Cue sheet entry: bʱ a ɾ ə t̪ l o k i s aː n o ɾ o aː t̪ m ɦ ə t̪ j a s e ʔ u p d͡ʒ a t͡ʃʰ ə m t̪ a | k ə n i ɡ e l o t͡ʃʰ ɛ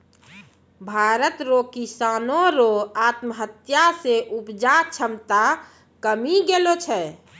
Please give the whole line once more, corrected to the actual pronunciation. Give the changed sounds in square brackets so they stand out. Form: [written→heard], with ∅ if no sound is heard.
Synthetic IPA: bʱ a ɾ ə t̪ [l→ɾ] o k i s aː n o ɾ o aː t̪ m ɦ ə t̪ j a s e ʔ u p d͡ʒ a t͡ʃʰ ə m t̪ a | k ə [n→m] i ɡ e l o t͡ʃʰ ɛ